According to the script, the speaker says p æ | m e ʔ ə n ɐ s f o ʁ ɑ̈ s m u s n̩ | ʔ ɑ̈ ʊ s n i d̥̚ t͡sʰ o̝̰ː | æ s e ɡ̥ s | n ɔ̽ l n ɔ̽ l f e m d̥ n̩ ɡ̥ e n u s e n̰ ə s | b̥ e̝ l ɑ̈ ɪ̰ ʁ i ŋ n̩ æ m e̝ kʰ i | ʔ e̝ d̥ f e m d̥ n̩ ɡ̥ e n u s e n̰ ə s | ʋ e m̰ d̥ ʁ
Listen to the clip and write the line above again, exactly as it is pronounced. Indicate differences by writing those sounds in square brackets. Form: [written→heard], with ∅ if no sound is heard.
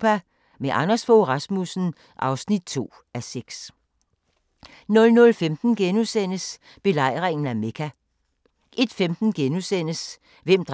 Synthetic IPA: p æ | m e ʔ [ə→ɑ] n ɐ s f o ʁ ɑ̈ s m u s n̩ | ʔ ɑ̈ ʊ s n i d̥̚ t͡sʰ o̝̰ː | æ s e ɡ̥ s | n ɔ̽ l n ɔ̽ l f e m d̥ n̩ ɡ̥ e n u s e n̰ ə s | b̥ e̝ l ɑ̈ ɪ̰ ʁ [i→e] ŋ n̩ æ m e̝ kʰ [i→æ] | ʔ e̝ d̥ f e m d̥ n̩ ɡ̥ e n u s e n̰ ə s | ʋ e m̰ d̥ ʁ